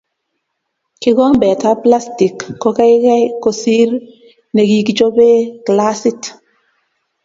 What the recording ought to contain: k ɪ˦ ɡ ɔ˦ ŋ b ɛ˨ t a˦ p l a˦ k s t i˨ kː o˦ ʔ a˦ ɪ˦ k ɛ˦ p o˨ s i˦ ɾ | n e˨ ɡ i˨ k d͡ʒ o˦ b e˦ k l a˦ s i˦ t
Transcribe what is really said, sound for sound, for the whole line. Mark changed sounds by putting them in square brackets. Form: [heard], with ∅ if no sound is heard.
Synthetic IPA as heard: k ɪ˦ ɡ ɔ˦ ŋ b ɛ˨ t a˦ p l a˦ [∅] s t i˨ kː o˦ [k] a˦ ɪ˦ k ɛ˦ [k] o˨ s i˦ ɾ | n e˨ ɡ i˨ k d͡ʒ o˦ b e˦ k l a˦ s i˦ t